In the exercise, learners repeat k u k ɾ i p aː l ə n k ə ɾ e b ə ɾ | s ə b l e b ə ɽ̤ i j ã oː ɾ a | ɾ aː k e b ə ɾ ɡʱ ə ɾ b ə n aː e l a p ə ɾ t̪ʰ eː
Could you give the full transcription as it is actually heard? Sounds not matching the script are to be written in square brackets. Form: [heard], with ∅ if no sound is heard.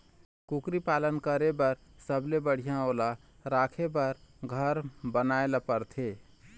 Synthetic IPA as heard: k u k ɾ i p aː l ə n k ə ɾ e b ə ɾ | s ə b l e b ə ɽ̤ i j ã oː [l] a | ɾ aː [kʰ] e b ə ɾ ɡʱ ə ɾ b ə n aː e l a p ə ɾ t̪ʰ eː